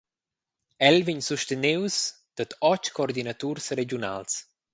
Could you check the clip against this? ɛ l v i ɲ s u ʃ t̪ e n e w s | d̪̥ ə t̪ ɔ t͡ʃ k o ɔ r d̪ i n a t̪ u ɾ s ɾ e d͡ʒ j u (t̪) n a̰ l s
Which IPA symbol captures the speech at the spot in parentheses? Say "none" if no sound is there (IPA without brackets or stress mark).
none